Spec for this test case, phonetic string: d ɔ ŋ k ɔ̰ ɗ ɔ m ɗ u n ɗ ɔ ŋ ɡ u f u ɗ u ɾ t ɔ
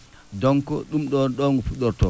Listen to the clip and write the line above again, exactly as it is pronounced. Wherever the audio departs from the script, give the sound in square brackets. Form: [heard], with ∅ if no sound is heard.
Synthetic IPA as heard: d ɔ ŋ k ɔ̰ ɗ [u] m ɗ [ɔ] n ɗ ɔ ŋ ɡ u f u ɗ [ɔ] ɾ t ɔ